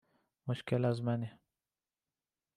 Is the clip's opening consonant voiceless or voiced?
voiced